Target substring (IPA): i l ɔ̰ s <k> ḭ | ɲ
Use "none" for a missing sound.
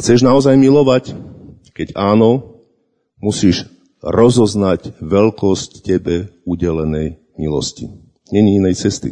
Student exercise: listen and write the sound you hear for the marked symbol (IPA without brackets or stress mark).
c